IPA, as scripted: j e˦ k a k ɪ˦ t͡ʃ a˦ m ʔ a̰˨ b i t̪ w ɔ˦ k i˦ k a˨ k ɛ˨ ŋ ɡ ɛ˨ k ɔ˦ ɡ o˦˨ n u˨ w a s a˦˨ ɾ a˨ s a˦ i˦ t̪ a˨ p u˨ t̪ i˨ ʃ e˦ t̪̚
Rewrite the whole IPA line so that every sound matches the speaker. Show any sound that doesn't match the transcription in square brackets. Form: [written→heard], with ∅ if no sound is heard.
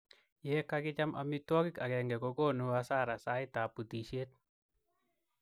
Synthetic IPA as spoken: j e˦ k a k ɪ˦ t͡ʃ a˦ m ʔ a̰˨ [b→m] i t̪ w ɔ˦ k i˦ k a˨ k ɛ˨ ŋ ɡ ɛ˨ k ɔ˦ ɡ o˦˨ n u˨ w a s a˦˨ ɾ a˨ s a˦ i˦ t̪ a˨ p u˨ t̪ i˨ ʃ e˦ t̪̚